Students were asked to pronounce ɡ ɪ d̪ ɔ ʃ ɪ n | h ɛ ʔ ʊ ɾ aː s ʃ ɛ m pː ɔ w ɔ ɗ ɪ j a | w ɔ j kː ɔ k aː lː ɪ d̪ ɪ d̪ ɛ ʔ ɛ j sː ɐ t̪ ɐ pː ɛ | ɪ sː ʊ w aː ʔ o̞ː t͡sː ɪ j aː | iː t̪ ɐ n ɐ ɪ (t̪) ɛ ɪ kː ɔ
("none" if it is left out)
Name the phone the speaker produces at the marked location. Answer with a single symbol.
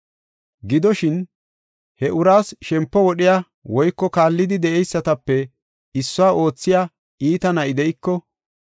d̪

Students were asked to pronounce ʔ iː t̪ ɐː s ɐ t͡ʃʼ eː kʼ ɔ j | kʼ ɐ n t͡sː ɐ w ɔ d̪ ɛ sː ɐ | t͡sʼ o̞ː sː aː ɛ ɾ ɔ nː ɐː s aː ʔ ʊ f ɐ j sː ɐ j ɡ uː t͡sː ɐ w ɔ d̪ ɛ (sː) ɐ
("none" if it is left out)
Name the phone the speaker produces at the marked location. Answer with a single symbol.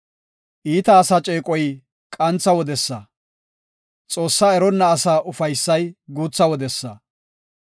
sː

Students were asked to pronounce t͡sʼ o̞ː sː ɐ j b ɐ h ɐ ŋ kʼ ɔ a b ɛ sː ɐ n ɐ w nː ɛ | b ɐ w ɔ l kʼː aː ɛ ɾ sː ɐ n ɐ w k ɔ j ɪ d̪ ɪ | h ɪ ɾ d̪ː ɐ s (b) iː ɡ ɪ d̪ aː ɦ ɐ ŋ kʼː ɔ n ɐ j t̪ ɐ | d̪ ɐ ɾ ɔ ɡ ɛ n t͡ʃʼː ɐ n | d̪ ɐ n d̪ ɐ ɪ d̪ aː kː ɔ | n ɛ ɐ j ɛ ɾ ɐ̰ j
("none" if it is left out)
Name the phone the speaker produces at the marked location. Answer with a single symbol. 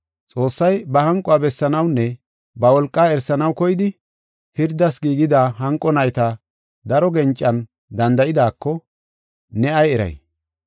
ɡ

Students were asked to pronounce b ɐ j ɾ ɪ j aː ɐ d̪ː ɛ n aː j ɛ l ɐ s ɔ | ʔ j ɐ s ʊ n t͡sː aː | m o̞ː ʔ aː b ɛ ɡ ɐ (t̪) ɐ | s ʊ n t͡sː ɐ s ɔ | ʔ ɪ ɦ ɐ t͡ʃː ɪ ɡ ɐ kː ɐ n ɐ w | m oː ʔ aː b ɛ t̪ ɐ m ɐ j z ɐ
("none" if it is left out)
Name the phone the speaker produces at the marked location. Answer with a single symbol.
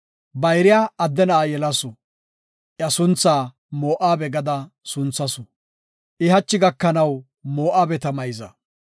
d̪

